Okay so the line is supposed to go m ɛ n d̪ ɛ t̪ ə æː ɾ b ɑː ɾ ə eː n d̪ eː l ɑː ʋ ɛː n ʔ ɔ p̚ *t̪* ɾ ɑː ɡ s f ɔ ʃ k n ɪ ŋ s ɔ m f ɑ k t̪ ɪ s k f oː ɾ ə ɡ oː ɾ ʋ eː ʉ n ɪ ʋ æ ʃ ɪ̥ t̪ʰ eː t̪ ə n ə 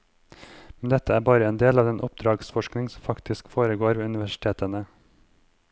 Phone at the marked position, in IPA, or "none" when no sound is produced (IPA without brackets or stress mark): d̪